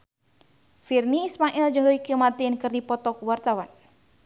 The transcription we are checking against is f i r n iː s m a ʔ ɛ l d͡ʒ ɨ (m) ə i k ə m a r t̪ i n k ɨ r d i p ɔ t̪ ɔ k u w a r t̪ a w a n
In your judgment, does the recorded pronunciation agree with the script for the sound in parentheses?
no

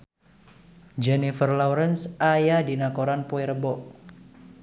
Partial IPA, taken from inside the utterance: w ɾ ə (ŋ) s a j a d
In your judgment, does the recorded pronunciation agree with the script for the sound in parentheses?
no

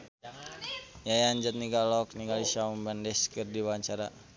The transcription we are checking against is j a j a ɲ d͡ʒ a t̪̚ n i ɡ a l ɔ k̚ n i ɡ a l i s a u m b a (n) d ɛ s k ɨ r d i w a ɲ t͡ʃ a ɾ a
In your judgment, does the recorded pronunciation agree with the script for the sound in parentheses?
yes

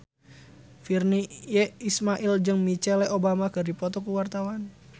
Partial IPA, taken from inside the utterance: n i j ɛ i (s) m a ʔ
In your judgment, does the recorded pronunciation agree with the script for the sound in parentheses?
yes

